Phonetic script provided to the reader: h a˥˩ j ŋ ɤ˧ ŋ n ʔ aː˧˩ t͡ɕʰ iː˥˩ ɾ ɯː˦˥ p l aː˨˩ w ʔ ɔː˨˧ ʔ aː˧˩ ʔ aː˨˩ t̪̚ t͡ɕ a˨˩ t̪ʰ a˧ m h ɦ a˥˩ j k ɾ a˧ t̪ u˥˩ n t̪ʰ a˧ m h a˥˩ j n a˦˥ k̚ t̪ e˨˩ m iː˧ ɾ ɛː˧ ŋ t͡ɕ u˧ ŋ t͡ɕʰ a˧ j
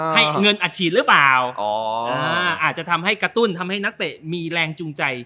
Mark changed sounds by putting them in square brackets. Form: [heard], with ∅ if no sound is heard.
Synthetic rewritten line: h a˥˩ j ŋ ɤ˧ [∅] n ʔ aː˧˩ t͡ɕʰ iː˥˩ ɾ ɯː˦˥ p l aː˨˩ w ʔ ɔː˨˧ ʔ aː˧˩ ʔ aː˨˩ t̪̚ t͡ɕ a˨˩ t̪ʰ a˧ m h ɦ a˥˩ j k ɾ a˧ t̪ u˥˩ n t̪ʰ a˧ m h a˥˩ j n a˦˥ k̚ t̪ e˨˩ m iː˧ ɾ ɛː˧ ŋ t͡ɕ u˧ ŋ [t͡ɕ] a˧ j